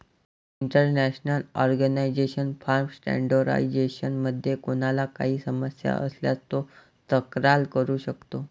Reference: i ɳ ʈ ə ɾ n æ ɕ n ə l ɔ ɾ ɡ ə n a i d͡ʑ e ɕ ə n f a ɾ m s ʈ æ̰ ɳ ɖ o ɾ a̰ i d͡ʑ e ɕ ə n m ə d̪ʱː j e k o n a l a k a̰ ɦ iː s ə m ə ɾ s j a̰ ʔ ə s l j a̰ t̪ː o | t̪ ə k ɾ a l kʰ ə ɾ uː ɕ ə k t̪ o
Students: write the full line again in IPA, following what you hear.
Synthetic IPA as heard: i ɳ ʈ ə ɾ n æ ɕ n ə l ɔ ɾ ɡ ə n a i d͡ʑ e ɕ ə n f a ɾ m s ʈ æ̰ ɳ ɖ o ɾ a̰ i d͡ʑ e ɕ ə n m ə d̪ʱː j e k o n a l a k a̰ ɦ iː s ə m ə s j a̰ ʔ ə s l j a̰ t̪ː o | t̪ ə k ɾ a l k ə ɾ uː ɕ ə k t̪ o